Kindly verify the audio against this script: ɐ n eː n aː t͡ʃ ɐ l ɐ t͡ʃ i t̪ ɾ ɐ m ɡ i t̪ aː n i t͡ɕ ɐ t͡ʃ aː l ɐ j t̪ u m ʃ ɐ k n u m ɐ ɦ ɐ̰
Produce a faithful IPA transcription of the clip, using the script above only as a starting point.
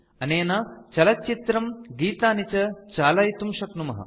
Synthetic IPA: ɐ n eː n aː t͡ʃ ɐ l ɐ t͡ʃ i t̪ ɾ ɐ m ɡ iː t̪ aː n i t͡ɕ ɐ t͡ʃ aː l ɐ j t̪ u m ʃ ɐ k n u m ɐ ɦ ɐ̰